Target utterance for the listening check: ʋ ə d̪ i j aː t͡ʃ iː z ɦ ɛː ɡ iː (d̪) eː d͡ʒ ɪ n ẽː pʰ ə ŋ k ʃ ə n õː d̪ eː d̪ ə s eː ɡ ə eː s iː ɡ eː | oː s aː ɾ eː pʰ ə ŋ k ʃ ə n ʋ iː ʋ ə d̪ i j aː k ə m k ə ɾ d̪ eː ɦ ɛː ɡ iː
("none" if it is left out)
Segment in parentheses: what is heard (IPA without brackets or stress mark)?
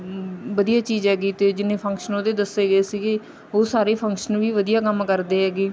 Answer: t̪